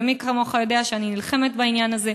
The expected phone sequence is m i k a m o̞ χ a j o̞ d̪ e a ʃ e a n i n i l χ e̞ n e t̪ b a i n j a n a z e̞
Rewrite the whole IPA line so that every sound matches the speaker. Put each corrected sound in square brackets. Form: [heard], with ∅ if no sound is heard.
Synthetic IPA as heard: m i k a m o̞ χ a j o̞ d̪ e a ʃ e a n i n i l χ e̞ [m] e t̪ b a i n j a n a z e̞